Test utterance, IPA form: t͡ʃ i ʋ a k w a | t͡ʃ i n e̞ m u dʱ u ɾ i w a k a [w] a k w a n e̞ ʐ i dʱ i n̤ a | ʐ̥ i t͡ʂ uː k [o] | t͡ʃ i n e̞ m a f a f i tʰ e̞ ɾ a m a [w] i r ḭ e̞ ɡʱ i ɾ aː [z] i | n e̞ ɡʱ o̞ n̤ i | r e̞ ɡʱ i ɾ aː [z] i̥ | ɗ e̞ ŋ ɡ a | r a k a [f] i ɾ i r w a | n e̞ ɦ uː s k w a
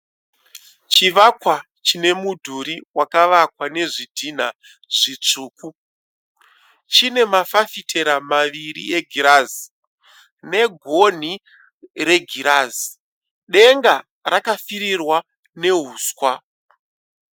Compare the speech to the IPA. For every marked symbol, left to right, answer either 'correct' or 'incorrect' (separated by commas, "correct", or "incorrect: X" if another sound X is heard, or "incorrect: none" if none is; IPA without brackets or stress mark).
incorrect: ʋ, incorrect: u, incorrect: ʋ, correct, correct, correct